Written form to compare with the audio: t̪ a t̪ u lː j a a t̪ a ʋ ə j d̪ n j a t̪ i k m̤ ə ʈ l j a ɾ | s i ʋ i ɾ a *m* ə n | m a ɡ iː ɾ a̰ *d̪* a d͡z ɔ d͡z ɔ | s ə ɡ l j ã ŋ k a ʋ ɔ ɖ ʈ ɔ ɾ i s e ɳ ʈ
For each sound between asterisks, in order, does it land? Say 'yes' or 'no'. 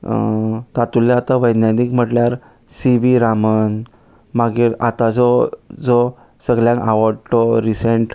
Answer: yes, no

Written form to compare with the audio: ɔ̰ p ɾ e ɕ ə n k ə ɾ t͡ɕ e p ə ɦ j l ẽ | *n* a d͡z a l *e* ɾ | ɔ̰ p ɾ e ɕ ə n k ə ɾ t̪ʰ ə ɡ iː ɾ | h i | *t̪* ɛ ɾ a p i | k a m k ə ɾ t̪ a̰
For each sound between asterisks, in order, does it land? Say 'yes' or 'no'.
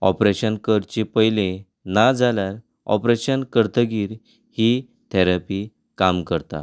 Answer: yes, no, no

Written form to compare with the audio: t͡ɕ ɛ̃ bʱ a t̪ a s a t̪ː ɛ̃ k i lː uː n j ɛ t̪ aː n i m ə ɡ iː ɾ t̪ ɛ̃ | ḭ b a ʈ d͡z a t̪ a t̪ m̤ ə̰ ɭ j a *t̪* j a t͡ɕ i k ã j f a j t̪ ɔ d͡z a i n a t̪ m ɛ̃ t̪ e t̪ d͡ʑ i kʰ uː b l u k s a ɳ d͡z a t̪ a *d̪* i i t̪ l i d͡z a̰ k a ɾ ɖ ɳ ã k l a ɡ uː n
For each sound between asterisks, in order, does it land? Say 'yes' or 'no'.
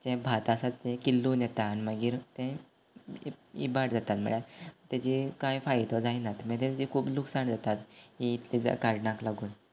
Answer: yes, no

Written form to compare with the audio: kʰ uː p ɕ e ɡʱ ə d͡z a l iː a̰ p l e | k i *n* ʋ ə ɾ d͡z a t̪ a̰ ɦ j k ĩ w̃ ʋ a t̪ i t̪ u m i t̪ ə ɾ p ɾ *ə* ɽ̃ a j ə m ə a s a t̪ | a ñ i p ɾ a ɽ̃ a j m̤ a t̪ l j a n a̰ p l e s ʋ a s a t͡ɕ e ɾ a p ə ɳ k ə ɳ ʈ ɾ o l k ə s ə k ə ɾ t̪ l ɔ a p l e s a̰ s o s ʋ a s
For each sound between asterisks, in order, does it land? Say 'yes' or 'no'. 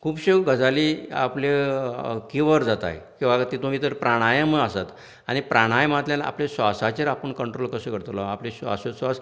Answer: no, no

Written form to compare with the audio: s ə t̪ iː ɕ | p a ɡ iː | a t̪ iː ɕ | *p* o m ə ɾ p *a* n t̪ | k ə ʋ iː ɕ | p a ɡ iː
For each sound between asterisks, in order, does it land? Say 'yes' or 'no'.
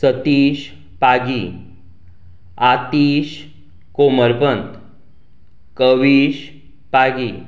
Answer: no, no

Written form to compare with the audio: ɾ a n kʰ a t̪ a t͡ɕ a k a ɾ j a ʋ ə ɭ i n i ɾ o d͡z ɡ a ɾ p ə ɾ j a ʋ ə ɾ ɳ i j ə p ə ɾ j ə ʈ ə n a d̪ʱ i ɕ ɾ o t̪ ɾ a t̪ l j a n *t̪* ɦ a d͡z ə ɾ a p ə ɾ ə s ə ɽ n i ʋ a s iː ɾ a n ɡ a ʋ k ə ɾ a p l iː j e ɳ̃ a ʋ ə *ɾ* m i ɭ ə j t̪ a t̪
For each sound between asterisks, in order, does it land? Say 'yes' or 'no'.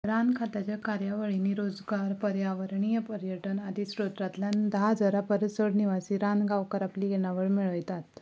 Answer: no, no

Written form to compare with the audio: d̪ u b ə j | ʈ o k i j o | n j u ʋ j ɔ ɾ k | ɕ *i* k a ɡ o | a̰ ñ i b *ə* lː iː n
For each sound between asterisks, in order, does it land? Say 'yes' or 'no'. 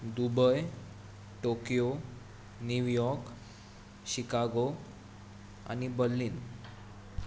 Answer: yes, yes

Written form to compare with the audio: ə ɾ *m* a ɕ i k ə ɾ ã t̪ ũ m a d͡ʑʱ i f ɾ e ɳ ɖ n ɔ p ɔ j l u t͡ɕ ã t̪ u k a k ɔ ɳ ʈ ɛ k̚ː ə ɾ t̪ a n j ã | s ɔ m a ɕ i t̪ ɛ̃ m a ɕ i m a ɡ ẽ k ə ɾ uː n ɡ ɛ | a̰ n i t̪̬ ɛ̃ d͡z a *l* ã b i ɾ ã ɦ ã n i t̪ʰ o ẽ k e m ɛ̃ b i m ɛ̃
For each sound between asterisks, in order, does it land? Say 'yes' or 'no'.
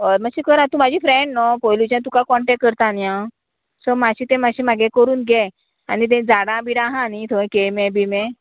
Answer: yes, no

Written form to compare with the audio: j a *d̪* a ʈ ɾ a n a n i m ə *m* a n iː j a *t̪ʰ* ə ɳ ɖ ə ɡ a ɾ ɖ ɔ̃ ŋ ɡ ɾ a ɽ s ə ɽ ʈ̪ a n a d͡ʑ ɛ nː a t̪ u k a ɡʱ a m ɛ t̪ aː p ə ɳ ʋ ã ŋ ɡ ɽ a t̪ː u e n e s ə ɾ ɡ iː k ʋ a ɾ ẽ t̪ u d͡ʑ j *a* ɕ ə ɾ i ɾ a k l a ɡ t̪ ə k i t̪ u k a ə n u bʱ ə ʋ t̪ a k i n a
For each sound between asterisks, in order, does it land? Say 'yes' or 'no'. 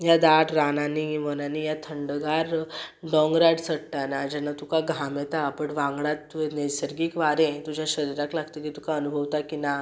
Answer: yes, no, yes, yes

